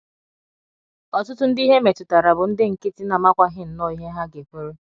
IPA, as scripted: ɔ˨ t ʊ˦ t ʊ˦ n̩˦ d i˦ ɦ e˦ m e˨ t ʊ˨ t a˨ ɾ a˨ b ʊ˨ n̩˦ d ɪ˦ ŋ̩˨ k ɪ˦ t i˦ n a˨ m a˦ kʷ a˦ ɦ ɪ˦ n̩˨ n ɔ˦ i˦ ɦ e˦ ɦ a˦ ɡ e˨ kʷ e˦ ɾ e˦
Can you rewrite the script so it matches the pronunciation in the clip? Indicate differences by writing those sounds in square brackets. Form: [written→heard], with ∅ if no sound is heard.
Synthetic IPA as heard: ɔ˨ t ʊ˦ t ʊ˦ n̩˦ d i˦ ɦ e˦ m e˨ t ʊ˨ t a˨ ɾ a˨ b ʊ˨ n̩˦ d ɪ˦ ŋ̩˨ k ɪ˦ t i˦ n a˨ m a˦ kʷ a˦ ɦ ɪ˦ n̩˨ n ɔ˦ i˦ ɦ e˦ ɦ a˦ ɡ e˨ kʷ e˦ ɾ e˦